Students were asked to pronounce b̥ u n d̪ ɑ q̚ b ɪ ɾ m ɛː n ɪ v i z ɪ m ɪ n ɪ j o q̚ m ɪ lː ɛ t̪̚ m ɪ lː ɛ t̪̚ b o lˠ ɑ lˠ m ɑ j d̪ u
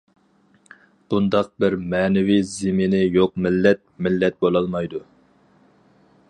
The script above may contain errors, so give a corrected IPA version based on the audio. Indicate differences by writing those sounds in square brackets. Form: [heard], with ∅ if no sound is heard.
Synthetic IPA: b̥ u n d̪ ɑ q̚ b ɪ ɾ m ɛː n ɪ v i z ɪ m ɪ n ɪ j o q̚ m ɪ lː ɛ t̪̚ m ɪ lː ɛ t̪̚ b o lˠ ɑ lˠ m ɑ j d̪ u